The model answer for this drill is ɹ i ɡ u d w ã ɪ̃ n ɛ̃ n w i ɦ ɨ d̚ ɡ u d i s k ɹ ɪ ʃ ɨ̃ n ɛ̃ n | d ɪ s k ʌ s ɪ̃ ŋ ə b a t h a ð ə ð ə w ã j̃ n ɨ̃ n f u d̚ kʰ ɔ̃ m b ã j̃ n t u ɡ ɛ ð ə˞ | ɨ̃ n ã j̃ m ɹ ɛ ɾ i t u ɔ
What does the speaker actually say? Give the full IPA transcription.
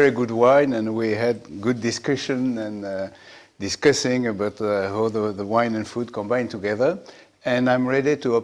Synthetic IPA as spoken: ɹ i ɡ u d w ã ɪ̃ n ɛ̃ n w i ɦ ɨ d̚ ɡ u d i s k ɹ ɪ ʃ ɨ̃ n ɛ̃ n | d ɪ s k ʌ s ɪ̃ ŋ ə b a t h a ð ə ð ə w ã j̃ n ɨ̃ n f u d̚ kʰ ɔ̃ m b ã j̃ n t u ɡ ɛ ð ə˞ | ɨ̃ n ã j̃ m ɹ ɛ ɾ i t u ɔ